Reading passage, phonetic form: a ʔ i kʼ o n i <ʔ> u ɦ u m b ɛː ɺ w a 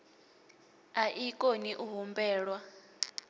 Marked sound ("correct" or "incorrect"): correct